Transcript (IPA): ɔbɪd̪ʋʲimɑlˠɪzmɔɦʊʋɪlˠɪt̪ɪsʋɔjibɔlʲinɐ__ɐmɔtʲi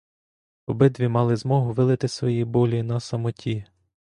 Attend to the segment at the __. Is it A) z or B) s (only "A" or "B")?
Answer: B